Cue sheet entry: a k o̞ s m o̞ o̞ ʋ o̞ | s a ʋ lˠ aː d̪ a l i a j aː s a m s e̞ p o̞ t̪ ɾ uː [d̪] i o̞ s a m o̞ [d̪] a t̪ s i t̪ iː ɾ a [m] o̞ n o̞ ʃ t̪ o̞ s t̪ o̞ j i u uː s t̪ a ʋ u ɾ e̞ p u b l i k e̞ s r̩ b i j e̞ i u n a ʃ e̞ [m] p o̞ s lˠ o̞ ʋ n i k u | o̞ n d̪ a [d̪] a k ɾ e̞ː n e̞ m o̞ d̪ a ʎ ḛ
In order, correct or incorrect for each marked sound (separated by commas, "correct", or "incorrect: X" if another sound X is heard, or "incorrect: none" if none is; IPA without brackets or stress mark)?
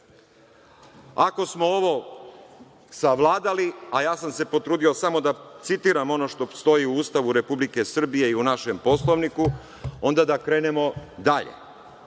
correct, correct, correct, correct, correct